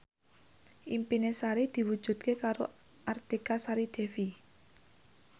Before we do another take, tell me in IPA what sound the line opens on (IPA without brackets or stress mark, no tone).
ʔ